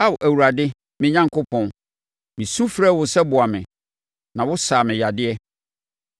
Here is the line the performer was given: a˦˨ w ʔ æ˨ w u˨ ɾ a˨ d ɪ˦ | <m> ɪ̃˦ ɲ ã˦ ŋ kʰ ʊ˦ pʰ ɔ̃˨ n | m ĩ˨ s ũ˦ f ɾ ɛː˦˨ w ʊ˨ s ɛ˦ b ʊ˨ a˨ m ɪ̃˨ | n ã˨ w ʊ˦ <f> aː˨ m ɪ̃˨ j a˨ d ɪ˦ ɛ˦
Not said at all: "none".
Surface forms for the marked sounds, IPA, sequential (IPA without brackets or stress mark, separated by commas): m, s